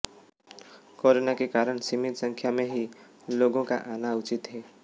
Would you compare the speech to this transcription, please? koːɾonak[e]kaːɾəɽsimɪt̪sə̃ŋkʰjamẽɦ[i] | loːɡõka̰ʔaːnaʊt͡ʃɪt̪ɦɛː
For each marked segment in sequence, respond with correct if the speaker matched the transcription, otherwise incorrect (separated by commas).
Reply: correct, correct